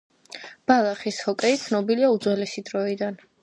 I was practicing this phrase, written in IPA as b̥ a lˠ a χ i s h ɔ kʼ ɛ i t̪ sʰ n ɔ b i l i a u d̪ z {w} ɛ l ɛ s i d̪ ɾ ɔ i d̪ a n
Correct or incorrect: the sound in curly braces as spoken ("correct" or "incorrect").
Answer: correct